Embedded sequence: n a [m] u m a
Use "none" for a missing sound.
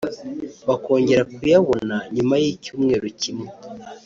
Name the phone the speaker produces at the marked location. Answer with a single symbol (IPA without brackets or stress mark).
ɲ